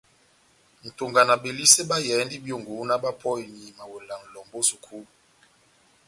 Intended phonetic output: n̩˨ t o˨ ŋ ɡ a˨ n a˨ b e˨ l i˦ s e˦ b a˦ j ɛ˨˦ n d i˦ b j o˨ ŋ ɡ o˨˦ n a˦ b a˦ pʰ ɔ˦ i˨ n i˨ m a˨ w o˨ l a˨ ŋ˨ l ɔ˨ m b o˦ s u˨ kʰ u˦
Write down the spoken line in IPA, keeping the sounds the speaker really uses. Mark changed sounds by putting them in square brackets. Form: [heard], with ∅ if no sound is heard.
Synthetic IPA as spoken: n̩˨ t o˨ ŋ ɡ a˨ n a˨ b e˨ l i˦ s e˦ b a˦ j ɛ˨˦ n d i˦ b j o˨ ŋ ɡ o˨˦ n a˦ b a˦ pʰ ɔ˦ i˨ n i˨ m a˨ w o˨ l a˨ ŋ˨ l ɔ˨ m b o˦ s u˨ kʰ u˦